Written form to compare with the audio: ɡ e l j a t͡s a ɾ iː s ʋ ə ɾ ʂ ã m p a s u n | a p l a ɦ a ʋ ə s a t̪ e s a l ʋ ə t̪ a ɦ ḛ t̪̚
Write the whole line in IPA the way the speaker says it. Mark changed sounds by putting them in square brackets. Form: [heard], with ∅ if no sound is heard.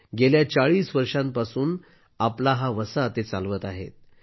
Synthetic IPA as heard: ɡ e l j a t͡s a [ɭ] iː s ʋ ə ɾ ʂ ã m p a s [uː] n | a p l a ɦ a ʋ ə s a t̪ e [t͡s] a l ʋ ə t̪ a ɦ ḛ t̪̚